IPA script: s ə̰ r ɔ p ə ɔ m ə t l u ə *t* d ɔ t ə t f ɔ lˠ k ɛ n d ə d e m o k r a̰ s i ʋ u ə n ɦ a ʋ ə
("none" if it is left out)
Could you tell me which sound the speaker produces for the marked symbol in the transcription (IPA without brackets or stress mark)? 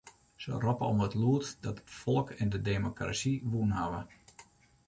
t